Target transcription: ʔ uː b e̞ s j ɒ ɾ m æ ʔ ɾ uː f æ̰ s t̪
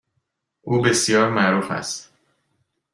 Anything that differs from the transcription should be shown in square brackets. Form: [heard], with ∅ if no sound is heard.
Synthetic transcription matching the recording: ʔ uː b e̞ s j [ɒː] ɾ m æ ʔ ɾ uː f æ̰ s t̪